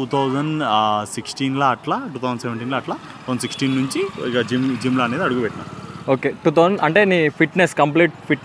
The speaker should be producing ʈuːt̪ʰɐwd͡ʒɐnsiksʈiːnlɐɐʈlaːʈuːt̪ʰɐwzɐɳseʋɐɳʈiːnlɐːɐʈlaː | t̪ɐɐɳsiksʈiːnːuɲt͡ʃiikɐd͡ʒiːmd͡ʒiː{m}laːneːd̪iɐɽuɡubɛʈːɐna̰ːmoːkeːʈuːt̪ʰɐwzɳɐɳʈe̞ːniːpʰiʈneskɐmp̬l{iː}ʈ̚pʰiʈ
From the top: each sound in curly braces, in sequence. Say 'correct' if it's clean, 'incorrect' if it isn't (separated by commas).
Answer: correct, correct